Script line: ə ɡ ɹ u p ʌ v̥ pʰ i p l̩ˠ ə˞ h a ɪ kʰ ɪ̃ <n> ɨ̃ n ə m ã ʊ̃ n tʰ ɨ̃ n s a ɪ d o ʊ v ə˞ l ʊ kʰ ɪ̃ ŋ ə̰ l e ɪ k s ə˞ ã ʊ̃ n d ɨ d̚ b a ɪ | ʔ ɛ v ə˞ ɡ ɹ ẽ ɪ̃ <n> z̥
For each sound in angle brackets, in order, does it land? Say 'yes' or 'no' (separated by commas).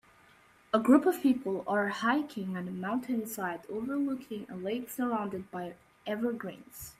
no, yes